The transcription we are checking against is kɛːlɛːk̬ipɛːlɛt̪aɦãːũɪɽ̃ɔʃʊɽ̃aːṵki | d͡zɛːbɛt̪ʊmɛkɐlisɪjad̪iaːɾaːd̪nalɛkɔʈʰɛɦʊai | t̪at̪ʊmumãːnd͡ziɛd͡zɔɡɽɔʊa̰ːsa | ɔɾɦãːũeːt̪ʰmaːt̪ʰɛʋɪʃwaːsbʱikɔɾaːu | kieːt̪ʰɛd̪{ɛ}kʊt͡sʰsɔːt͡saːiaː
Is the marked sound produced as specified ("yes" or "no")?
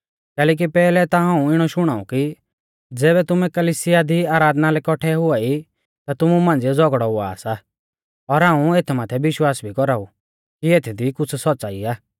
no